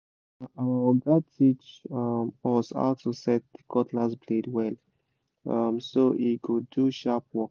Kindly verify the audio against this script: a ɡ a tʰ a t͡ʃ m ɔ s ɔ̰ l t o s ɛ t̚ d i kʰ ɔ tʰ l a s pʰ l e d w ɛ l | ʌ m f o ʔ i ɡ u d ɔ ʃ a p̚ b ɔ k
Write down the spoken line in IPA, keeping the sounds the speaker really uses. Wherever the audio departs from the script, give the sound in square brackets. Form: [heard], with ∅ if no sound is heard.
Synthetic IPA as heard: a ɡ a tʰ [i] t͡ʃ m ɔ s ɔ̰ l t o s ɛ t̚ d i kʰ ɔ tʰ l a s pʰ l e d w ɛ l | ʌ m [s] o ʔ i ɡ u d [u] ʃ a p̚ [w] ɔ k